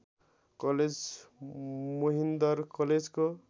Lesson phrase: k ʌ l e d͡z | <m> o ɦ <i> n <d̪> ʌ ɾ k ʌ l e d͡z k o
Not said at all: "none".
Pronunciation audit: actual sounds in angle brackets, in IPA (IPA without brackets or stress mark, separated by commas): m, i, d̪